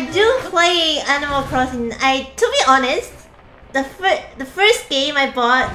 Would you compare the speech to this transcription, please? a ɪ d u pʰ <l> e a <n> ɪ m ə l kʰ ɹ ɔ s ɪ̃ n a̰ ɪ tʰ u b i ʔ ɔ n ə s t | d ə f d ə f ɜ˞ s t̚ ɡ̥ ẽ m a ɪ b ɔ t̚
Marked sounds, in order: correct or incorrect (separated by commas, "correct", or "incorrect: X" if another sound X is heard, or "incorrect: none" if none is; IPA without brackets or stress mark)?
correct, correct